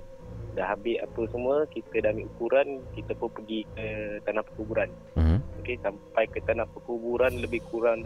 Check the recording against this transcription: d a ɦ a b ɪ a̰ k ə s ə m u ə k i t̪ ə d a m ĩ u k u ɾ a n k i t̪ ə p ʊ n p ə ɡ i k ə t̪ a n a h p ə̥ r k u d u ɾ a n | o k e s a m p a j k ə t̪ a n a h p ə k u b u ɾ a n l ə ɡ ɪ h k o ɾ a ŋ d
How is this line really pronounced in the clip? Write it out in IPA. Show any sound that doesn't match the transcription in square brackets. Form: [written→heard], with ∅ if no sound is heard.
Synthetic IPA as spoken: d a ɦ a b ɪ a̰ [k→p] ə s ə m u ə k i t̪ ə d a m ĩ u k u ɾ a n k i t̪ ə p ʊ n p ə ɡ i k ə t̪ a n a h p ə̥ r k u [d→b] u ɾ a n | o k e s a m p a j k ə t̪ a n a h p ə k u b u ɾ a n l ə [ɡ→b] ɪ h k [o→u] ɾ a ŋ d